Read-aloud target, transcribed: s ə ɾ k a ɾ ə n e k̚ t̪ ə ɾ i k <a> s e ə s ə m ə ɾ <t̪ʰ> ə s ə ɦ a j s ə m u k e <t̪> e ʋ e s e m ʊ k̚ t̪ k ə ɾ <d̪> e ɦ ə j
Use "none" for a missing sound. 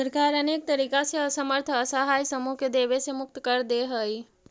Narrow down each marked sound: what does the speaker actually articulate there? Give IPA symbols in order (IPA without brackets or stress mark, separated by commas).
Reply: a, t̪ʰ, d̪, d̪